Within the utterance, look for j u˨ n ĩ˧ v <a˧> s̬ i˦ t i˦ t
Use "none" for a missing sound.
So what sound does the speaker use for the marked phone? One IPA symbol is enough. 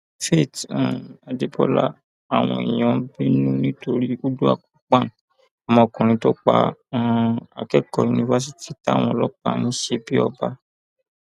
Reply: a˧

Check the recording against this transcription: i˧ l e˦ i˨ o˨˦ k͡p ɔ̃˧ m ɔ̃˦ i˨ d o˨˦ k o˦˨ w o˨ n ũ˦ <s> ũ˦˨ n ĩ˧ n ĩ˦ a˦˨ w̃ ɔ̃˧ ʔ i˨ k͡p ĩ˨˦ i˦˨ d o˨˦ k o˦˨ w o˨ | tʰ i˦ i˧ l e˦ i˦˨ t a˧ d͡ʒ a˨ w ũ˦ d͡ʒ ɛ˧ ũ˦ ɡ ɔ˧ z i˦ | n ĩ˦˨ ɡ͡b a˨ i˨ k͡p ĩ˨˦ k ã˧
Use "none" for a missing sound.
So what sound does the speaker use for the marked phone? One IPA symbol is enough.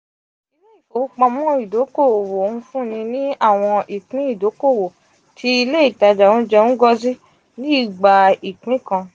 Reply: f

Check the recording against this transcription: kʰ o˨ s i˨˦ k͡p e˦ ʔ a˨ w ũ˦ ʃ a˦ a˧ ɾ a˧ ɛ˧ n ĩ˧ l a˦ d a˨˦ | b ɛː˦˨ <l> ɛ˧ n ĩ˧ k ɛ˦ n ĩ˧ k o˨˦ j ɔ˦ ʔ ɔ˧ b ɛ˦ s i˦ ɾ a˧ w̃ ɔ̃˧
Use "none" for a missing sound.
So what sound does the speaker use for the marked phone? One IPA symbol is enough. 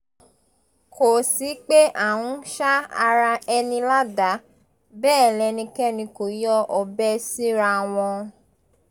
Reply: l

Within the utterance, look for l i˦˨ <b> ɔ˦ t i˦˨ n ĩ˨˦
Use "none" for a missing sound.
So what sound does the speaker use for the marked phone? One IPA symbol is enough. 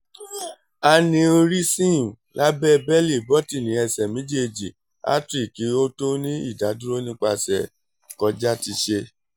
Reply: b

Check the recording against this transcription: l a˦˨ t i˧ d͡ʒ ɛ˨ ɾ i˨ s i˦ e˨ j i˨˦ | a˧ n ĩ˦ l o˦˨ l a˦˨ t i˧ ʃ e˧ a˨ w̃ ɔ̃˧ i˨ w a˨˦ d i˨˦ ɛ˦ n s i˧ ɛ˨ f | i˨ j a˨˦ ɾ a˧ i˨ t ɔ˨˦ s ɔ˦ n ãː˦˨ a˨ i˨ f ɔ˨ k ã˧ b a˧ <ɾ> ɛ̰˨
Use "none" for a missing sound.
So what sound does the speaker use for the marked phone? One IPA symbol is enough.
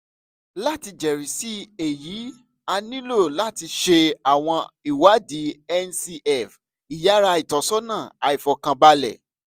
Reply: l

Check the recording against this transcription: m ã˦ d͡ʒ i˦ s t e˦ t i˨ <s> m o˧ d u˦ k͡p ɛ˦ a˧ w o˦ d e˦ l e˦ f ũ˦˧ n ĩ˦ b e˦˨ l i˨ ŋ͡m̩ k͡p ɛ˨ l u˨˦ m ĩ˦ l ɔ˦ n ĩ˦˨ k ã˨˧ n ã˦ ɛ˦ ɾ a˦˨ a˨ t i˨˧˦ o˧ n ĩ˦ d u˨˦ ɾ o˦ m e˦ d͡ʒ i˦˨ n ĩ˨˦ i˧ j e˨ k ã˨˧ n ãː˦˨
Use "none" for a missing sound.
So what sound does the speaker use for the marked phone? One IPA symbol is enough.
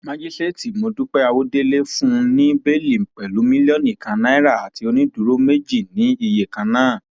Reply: none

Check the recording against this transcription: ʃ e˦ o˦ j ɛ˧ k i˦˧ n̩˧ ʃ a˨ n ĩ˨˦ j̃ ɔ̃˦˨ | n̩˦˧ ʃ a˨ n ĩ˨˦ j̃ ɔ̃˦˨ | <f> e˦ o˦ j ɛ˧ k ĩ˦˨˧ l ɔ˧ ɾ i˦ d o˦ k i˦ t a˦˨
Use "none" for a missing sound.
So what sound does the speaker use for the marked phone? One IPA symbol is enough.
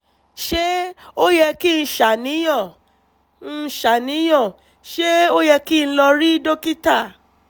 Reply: ʃ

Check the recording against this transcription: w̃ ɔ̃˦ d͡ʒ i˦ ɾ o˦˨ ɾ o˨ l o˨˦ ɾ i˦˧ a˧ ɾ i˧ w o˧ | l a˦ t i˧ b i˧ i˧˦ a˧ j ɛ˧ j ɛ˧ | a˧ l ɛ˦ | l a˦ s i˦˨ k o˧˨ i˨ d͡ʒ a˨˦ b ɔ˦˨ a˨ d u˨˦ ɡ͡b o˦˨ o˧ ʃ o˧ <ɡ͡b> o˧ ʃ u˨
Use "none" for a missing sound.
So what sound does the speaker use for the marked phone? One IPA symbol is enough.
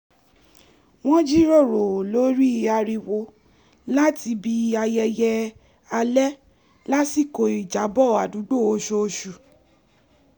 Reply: none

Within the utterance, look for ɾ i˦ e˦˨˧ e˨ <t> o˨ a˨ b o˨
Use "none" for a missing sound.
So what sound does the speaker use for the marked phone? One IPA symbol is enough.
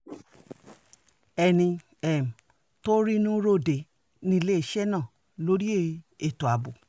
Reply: t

